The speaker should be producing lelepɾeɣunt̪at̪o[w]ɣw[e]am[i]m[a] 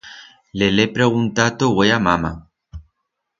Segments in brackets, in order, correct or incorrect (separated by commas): incorrect, correct, incorrect, correct